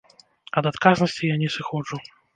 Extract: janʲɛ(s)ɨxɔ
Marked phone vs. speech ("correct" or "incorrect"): correct